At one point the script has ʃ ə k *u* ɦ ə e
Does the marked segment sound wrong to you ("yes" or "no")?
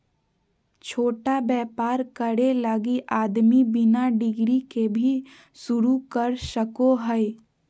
yes